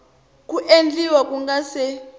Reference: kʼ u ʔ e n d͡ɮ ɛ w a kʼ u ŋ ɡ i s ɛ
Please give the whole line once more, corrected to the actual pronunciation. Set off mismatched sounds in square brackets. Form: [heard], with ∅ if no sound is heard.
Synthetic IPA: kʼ u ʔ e n d͡ɮ [i] w a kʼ u ŋ ɡ [a] s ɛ